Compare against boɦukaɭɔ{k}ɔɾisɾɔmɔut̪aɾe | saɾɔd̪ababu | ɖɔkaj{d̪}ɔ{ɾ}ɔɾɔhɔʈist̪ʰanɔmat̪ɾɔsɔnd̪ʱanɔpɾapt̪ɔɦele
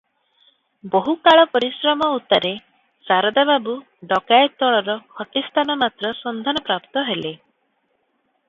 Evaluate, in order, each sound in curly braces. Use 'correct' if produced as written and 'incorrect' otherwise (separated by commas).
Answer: incorrect, incorrect, incorrect